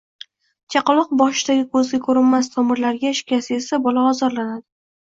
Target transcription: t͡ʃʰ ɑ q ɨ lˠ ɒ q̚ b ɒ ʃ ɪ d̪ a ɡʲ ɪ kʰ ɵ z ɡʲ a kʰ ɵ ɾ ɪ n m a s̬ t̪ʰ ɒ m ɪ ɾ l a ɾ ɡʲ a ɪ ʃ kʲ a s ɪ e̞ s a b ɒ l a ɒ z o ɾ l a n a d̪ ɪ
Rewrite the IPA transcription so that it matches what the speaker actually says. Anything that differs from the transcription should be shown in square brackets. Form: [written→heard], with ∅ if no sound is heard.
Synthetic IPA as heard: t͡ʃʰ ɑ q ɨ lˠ ɒ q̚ b ɒ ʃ ɪ d̪ a ɡʲ ɪ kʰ ɵ z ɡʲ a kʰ ɵ ɾ ɪ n m a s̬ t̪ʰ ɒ m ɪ ɾ l a ɾ ɡʲ a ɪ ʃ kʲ a s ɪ e̞ s a b ɒ l a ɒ z [o→ɒ] ɾ l a n a d̪ ɪ